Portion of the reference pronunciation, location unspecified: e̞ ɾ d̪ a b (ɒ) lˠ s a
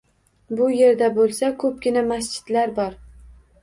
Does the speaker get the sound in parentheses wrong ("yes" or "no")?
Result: yes